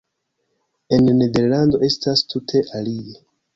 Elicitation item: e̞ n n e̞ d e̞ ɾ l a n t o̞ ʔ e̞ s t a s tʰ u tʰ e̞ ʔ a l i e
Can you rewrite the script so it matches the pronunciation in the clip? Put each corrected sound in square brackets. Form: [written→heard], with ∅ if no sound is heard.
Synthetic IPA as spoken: e̞ n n e̞ d e̞ ɾ l a n [t→d] o̞ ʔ e̞ s t a s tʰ u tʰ e̞ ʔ a l i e